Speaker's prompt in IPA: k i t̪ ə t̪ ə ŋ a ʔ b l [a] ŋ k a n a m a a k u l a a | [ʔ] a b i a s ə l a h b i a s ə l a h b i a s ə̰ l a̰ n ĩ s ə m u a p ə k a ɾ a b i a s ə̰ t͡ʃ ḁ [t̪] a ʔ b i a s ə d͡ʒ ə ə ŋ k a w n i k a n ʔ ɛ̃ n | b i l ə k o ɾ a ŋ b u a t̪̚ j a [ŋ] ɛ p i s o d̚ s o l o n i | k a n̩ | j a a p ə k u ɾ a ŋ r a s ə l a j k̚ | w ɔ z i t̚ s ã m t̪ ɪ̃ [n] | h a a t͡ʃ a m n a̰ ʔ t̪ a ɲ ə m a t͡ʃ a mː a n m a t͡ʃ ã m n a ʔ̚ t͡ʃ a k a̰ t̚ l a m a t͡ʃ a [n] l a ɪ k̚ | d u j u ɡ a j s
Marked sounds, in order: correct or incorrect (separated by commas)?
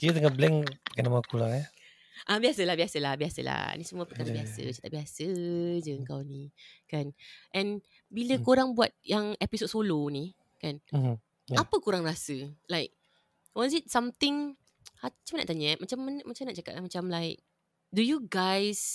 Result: incorrect, correct, correct, correct, incorrect, incorrect